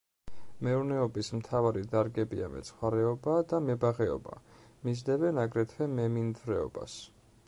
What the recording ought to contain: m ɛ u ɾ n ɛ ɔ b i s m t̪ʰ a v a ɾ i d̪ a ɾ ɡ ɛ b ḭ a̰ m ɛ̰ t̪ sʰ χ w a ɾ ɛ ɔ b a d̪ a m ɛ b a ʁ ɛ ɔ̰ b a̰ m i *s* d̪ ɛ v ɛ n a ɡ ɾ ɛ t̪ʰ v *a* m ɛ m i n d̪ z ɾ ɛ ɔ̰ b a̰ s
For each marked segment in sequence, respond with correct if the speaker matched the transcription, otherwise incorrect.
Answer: incorrect: z, incorrect: ɛ

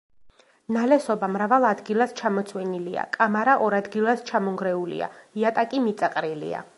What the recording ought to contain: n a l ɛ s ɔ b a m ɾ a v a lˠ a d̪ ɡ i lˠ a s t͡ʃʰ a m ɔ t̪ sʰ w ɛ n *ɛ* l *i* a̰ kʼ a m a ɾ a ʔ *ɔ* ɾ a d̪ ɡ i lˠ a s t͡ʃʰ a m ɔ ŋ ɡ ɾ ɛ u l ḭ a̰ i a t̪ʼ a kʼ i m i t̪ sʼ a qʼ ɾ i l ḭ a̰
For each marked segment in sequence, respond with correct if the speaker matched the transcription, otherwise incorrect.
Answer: incorrect: i, correct, correct

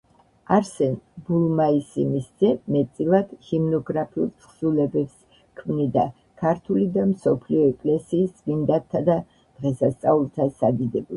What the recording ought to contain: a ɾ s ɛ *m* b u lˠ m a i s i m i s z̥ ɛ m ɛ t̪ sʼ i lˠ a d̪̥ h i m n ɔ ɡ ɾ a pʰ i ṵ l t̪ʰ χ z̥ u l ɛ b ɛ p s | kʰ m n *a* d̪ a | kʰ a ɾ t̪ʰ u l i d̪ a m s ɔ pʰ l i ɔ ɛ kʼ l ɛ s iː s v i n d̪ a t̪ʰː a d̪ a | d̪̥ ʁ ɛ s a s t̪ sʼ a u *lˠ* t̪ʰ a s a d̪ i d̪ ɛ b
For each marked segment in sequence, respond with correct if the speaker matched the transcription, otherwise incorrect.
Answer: incorrect: n, incorrect: i, correct

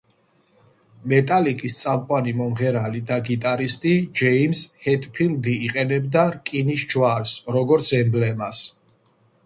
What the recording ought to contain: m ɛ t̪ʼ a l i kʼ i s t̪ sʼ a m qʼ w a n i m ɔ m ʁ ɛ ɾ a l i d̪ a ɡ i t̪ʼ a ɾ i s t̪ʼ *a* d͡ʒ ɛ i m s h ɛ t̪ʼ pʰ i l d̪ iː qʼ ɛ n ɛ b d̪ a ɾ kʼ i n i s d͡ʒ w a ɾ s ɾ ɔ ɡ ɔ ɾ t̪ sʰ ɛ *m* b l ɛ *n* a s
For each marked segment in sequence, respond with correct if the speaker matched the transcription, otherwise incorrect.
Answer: incorrect: i, correct, incorrect: m

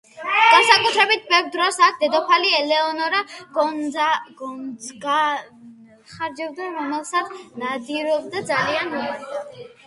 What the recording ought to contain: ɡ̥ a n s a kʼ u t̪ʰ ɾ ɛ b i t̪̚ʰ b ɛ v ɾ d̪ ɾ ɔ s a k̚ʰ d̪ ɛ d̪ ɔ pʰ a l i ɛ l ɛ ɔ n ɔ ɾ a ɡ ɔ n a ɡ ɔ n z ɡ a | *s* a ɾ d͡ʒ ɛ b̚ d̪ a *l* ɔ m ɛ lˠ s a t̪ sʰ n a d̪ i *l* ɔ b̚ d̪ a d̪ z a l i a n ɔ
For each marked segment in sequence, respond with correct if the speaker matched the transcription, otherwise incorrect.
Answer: incorrect: χ, incorrect: ɾ, incorrect: ɾ

